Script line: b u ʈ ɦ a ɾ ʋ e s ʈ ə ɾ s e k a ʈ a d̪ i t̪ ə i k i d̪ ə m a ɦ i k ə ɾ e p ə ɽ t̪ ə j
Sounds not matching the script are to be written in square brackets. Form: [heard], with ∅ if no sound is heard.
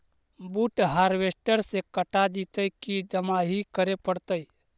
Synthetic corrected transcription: b u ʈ ɦ a ɾ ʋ e s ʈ ə ɾ s e k [ə] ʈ a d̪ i t̪ ə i k i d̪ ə m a ɦ i k ə ɾ e p ə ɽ t̪ ə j